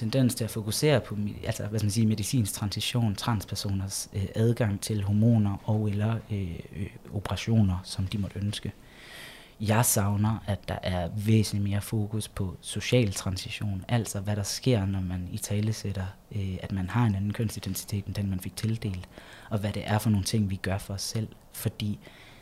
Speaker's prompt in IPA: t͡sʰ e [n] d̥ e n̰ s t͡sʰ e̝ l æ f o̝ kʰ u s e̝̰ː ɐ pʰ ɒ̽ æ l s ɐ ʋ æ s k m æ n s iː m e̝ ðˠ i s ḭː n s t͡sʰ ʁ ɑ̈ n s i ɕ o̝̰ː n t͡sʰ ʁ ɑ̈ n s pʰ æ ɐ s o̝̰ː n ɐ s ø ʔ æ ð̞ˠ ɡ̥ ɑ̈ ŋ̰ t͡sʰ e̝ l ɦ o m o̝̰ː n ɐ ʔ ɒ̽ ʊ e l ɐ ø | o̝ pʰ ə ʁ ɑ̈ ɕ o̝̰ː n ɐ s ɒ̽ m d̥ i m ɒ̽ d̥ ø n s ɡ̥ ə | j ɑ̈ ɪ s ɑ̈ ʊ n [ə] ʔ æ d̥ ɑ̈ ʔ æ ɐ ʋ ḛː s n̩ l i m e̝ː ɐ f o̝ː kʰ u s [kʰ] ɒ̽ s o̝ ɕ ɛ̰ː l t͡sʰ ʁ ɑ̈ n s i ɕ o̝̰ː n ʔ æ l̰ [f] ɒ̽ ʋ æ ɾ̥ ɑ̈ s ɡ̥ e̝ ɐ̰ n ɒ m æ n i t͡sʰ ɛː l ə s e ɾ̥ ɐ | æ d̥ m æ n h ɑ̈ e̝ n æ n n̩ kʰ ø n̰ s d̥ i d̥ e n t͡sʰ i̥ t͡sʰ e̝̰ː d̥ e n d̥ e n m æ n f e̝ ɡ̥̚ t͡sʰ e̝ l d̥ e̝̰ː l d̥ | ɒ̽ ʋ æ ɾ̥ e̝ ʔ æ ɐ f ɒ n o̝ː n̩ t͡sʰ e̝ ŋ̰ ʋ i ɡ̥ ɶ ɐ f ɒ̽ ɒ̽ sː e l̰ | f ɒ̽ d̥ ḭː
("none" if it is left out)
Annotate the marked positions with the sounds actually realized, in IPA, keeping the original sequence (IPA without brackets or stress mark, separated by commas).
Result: n, ɐ, pʰ, s